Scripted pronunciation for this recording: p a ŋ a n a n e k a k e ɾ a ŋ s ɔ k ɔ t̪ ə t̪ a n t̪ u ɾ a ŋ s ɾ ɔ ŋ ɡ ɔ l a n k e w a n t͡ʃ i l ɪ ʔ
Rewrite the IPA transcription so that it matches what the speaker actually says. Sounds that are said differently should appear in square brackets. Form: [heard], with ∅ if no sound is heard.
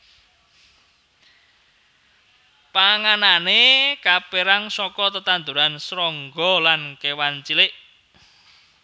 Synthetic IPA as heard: p a ŋ a n a n e k a [p] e ɾ a ŋ s ɔ k ɔ t̪ ə t̪ a n [d̪] u ɾ a [n] s ɾ ɔ ŋ ɡ ɔ l a n k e w a n t͡ʃ i l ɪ ʔ